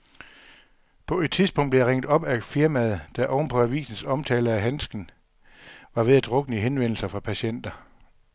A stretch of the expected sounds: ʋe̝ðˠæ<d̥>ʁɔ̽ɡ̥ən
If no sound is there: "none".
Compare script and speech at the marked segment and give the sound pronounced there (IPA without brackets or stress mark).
d̥